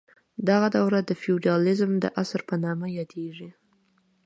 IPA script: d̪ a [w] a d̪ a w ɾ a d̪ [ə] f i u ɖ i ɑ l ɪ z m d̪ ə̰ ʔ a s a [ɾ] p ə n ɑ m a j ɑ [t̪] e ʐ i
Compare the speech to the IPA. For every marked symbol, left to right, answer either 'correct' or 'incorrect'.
incorrect, correct, correct, incorrect

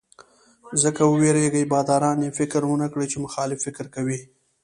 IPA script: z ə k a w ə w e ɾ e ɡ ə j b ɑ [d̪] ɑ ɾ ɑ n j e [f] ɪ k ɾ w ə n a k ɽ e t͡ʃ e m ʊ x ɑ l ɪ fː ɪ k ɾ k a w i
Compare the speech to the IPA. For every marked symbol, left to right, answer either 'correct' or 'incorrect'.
correct, correct

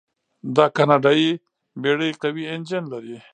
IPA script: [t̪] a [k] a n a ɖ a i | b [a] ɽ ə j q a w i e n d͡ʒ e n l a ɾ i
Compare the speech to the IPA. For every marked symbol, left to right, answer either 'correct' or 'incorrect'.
incorrect, correct, incorrect

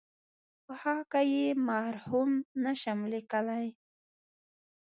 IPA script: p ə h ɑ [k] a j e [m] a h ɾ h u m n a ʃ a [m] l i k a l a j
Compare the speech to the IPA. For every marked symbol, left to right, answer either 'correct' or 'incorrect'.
correct, correct, correct

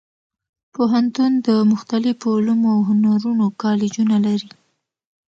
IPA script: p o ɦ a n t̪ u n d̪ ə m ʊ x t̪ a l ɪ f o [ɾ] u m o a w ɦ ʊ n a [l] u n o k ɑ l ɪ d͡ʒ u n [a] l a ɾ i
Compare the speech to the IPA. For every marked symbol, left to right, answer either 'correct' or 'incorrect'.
incorrect, incorrect, correct

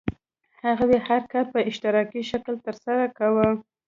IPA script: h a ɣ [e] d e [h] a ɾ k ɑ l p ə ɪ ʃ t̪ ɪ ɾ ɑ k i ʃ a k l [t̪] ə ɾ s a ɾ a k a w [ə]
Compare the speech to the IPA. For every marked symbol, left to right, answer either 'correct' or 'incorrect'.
incorrect, correct, correct, correct

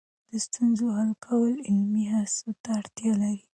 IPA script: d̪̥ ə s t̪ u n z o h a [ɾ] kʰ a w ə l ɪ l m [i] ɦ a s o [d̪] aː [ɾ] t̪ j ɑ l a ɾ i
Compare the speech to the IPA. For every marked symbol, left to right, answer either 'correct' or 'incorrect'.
incorrect, correct, incorrect, incorrect

